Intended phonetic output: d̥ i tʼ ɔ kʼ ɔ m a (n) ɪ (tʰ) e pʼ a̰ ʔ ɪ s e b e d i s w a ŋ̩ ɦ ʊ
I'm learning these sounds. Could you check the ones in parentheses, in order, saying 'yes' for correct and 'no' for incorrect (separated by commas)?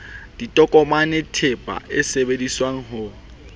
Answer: yes, yes